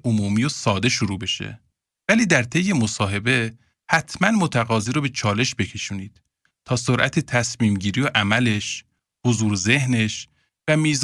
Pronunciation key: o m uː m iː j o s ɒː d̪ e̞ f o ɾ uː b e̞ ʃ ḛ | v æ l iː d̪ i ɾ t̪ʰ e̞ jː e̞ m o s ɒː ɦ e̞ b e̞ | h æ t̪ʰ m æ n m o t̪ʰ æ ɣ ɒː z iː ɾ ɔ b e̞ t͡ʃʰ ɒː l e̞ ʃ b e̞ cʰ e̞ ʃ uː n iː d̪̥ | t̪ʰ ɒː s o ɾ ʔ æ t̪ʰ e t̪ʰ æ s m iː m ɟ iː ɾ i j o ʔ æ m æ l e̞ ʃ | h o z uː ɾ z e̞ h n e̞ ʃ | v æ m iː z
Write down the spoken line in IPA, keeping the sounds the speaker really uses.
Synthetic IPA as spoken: o m uː m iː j o s ɒː d̪ e̞ ʃ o ɾ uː b e̞ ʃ ḛ | v æ l iː d̪ æ ɾ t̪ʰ e̞ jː e̞ m o s ɒː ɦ e̞ b e̞ | h æ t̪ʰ m æ n m o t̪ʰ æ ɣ ɒː z iː ɾ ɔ b e̞ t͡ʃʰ ɒː l e̞ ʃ b e̞ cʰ e̞ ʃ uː n iː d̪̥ | t̪ʰ ɒː s o ɾ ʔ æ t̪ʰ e t̪ʰ æ s m iː m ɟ iː ɾ i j o ʔ æ m æ l e̞ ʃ | h o z uː ɾ z e̞ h n e̞ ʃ | v æ m iː z